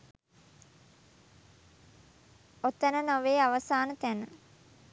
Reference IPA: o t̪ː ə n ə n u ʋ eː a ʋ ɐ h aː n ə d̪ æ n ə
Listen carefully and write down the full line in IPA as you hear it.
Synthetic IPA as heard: o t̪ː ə n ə n o ʋ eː a ʋ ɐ s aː n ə t̪ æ n ə